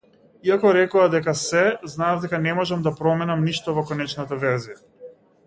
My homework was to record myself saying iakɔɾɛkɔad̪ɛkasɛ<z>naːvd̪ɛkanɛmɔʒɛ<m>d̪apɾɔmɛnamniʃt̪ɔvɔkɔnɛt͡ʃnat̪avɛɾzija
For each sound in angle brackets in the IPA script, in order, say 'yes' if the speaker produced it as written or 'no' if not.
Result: yes, yes

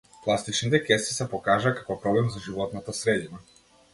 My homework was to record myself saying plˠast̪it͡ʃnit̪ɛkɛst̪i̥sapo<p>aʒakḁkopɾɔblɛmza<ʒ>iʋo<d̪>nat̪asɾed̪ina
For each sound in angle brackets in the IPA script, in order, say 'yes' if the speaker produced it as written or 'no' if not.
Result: no, yes, no

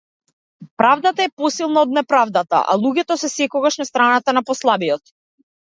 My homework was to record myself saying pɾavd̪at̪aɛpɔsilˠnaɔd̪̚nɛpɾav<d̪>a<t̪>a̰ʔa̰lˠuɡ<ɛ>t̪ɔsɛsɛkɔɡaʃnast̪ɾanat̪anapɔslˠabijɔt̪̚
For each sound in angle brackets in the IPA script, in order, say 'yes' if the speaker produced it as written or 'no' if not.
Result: yes, yes, yes

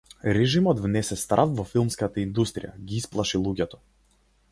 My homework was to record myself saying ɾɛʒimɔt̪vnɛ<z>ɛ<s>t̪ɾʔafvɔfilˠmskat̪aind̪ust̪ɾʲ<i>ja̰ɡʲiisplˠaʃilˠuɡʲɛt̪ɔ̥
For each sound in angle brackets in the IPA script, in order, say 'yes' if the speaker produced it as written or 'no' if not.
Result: no, yes, yes

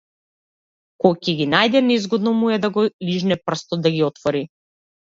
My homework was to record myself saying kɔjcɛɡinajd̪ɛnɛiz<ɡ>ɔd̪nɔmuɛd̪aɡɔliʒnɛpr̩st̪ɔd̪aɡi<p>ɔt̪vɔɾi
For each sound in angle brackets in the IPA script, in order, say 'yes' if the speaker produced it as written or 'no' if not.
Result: yes, no

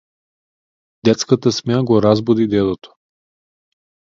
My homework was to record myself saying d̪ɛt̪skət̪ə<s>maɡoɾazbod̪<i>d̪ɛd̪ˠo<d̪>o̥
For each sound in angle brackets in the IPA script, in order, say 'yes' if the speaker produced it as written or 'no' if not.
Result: yes, yes, no

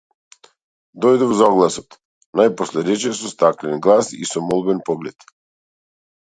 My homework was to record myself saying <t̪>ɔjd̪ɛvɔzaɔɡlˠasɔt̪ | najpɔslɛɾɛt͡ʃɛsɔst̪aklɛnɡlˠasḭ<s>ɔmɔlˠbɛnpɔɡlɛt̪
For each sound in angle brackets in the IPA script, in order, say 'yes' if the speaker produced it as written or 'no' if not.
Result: no, yes

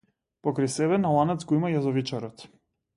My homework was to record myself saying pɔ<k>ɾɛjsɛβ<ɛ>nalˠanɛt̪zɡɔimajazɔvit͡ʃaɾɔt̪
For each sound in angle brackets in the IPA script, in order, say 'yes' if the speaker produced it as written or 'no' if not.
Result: yes, yes

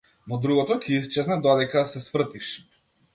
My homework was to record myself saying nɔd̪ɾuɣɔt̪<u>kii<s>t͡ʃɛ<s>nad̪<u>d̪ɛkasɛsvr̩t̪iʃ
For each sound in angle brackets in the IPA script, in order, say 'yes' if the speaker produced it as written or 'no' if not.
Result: no, yes, no, no

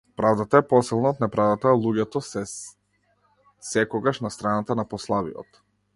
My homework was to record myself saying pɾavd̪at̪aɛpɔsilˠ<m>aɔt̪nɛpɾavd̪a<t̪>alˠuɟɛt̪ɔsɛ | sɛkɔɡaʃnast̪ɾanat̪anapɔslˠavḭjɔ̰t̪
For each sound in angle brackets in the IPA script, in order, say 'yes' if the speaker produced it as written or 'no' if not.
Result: no, yes

